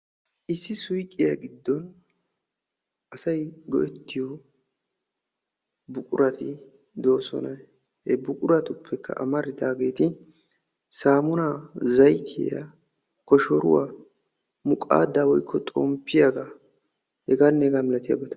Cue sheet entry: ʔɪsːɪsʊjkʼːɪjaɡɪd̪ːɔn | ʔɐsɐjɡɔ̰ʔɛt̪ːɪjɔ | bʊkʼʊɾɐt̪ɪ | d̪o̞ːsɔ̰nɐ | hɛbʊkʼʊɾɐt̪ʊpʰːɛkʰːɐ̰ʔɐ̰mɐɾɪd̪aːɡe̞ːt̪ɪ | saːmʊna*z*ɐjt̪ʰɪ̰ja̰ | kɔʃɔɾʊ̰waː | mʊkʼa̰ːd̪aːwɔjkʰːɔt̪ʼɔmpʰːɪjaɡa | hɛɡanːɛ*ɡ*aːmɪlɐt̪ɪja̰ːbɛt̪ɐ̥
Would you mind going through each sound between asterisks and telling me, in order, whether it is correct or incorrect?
correct, correct

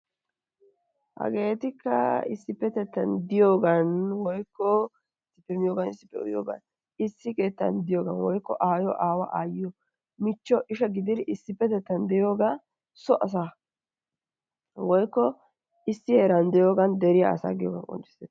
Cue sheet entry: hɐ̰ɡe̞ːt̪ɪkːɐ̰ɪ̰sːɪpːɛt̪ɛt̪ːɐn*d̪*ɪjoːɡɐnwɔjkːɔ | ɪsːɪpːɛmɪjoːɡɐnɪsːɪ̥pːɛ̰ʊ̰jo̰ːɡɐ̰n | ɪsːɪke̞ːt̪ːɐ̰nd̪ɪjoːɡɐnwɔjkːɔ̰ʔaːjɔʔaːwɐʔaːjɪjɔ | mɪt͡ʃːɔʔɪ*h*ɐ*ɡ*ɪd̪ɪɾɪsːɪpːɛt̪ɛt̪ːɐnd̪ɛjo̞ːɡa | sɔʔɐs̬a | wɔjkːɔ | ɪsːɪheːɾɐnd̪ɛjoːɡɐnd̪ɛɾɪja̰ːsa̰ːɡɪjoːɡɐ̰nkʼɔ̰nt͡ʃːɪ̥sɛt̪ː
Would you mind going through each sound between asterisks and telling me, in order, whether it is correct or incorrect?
correct, incorrect: ʃ, correct

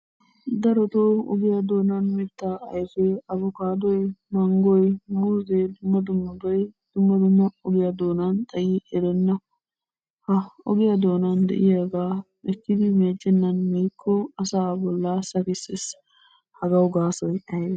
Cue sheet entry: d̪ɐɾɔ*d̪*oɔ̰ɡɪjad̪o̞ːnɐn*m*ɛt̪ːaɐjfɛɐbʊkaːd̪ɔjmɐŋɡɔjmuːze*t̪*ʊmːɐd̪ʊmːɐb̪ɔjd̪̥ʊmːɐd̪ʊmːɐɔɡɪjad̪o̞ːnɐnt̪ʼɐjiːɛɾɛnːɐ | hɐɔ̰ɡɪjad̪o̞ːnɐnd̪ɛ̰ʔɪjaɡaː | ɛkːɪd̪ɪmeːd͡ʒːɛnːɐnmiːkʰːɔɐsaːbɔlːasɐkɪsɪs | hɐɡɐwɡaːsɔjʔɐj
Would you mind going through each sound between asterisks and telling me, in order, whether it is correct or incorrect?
incorrect: t̪, correct, incorrect: d̪

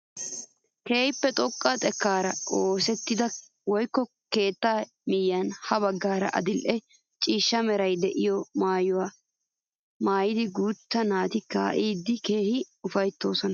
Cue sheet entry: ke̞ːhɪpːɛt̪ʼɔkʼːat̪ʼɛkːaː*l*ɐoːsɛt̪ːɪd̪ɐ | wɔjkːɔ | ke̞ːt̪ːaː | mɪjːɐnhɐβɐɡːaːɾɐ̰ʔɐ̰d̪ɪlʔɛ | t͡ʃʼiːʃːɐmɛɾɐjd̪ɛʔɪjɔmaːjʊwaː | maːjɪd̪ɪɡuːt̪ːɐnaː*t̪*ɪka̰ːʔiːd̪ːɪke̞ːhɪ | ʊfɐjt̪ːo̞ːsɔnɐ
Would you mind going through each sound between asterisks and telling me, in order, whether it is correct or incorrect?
incorrect: ɾ, correct

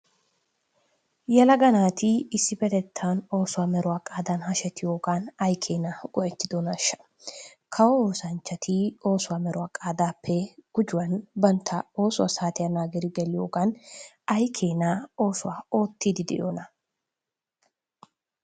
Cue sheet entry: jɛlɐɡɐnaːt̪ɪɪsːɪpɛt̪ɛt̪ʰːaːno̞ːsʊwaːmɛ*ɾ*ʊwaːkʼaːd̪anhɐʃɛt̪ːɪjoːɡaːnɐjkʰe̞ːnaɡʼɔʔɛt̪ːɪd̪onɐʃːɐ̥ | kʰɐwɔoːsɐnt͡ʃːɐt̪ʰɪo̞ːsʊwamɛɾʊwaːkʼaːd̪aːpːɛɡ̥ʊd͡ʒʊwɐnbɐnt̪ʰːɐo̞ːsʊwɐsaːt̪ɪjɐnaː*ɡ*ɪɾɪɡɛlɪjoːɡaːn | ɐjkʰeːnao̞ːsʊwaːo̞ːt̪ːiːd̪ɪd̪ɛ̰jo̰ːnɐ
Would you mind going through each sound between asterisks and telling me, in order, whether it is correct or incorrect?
correct, correct

